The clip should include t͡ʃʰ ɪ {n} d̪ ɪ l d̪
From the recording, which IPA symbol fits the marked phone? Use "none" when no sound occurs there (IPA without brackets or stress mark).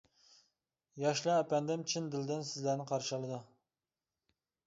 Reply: n